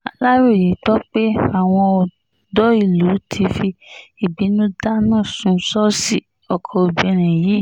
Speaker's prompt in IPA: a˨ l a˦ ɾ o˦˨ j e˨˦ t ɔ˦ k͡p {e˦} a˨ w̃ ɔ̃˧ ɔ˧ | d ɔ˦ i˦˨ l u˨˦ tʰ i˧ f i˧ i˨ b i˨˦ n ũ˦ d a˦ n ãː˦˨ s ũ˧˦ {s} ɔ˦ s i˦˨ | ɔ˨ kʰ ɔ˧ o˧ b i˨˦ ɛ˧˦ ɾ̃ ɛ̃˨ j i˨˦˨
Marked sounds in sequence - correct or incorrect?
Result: correct, correct

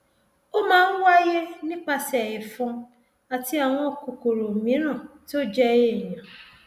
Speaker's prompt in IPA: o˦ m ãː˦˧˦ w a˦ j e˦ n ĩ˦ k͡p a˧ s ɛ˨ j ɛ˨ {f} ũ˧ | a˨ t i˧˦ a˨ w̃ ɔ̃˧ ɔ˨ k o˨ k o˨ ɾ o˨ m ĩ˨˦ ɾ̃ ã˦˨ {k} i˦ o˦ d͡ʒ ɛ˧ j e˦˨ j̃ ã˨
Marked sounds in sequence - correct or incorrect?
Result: correct, incorrect

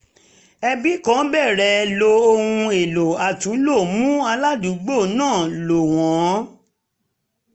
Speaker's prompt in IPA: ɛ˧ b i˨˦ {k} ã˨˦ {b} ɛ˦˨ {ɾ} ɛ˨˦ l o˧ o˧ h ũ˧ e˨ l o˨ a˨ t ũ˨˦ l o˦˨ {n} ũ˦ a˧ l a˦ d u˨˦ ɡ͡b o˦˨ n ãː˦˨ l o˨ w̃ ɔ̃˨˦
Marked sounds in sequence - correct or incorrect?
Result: correct, correct, correct, incorrect

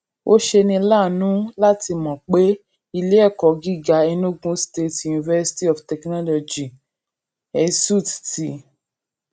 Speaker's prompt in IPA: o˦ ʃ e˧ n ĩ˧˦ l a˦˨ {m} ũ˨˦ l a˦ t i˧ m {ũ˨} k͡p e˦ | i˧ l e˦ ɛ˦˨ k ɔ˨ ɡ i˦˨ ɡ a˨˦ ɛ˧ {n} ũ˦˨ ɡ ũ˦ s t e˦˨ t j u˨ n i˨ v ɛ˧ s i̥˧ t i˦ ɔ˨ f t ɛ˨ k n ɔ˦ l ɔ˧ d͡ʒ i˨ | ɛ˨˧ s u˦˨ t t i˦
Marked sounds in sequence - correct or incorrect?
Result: incorrect, incorrect, correct

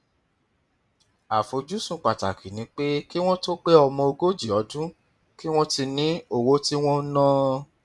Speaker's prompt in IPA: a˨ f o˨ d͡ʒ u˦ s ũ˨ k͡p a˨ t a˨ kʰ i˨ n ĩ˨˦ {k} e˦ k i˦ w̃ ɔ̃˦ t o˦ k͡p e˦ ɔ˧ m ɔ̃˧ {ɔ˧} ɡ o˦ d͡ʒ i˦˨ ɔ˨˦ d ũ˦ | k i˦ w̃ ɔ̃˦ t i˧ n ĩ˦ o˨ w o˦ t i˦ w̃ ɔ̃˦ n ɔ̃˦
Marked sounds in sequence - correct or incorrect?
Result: incorrect, incorrect

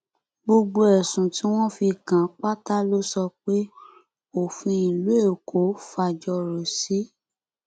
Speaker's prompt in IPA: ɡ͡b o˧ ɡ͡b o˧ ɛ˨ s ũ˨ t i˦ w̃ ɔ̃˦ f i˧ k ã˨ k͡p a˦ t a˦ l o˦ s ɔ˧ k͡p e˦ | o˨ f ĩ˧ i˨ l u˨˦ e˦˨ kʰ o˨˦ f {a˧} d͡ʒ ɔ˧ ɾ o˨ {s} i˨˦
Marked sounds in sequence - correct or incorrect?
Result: correct, correct

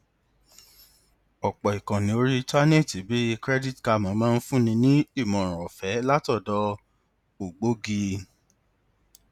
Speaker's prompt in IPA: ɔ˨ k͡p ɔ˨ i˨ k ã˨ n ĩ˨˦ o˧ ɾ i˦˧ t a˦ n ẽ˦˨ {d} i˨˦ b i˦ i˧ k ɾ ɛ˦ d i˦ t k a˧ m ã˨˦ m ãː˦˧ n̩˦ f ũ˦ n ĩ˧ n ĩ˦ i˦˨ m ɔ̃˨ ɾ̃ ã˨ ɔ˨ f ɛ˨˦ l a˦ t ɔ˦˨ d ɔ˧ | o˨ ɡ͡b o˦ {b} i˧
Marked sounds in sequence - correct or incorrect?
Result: incorrect, incorrect

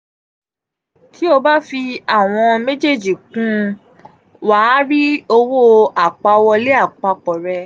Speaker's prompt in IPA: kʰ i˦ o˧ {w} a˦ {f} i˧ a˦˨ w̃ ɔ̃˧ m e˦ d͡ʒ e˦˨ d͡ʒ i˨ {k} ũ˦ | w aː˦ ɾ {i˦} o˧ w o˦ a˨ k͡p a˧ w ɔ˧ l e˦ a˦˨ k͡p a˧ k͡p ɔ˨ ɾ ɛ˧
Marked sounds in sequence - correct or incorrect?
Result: incorrect, correct, correct, correct

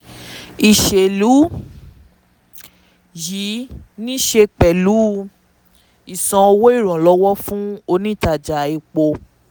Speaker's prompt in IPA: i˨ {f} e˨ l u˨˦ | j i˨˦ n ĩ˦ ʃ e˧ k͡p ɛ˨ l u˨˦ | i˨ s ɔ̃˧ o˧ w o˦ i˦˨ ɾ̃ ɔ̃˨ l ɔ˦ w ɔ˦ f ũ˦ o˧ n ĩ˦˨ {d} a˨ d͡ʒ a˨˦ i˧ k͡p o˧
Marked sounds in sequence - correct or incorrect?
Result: incorrect, incorrect

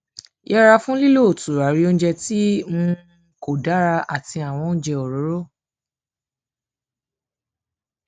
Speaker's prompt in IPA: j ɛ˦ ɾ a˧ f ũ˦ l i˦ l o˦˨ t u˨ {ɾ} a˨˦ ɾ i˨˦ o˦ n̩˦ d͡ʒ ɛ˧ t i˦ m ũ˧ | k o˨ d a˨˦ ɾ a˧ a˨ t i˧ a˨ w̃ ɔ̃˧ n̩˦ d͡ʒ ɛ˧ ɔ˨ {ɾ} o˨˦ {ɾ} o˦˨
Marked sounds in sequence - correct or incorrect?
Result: correct, correct, correct

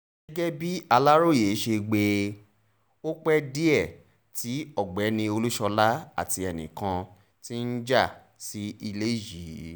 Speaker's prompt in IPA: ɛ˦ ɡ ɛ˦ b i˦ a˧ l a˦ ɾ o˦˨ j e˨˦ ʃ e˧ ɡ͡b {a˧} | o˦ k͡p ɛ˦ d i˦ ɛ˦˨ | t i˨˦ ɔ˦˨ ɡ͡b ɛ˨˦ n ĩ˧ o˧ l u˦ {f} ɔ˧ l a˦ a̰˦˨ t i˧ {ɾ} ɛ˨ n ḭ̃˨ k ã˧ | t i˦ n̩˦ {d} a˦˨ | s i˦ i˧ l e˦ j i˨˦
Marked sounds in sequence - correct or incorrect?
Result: incorrect, incorrect, incorrect, incorrect

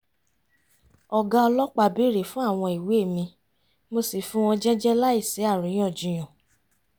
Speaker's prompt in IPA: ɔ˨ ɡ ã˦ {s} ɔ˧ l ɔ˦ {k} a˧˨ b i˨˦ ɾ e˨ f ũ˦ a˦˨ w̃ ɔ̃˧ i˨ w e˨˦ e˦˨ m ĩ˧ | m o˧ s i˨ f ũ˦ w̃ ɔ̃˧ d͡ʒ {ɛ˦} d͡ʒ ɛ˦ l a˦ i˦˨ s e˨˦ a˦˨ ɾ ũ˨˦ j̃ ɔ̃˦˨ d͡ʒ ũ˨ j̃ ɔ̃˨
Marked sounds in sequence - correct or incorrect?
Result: incorrect, incorrect, correct

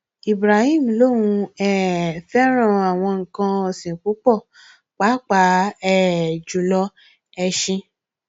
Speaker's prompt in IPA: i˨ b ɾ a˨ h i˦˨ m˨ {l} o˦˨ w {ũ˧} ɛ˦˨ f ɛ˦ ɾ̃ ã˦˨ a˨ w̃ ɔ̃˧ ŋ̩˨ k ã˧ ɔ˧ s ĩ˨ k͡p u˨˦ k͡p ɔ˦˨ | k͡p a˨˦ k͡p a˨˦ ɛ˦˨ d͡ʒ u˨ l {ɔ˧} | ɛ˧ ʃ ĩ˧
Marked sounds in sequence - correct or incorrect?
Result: correct, correct, correct

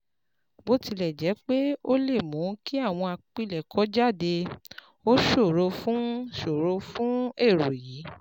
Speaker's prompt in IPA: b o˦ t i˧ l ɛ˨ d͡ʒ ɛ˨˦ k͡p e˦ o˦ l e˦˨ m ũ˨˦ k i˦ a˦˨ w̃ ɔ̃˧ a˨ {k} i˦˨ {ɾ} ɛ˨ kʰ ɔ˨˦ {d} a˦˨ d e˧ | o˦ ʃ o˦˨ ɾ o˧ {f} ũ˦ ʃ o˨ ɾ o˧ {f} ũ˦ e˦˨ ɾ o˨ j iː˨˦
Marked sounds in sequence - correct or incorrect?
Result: incorrect, incorrect, incorrect, correct, correct

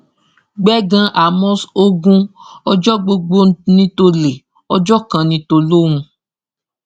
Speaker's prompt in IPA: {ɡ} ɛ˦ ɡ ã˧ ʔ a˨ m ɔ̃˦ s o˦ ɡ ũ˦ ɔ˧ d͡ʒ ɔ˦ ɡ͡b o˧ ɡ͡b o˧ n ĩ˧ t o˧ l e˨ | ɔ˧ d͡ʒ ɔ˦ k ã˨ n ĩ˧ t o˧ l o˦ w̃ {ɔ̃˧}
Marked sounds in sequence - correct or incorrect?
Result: incorrect, incorrect

